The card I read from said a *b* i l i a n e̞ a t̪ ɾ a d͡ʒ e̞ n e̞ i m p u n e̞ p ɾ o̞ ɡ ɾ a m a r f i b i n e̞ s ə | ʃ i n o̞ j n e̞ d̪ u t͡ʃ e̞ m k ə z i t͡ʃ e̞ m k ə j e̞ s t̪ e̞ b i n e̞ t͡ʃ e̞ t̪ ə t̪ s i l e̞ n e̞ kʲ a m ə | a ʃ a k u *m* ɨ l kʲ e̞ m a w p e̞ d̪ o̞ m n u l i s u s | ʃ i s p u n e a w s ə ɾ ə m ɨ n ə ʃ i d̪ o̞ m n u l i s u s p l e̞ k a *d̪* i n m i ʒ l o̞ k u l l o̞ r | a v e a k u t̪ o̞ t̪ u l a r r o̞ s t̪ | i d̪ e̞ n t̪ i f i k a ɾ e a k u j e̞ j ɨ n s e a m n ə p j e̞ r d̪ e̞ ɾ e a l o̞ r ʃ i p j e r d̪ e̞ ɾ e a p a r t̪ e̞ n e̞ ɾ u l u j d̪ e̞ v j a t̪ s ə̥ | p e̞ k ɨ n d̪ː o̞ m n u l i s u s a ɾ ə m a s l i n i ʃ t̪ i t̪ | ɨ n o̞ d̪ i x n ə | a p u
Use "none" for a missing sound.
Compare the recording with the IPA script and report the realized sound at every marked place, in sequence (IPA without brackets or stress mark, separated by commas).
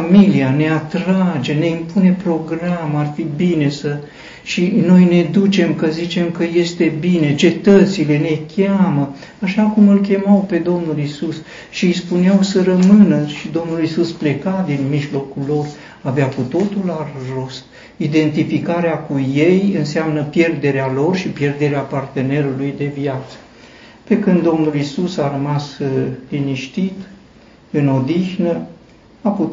m, m, d̪